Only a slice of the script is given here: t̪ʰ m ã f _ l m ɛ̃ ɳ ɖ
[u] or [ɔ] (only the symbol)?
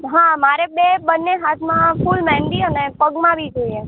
u